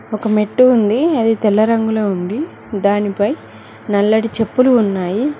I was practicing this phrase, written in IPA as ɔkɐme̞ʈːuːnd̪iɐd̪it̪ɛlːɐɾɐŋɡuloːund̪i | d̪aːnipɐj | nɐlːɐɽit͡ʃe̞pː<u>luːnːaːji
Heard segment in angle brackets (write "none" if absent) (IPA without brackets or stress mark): u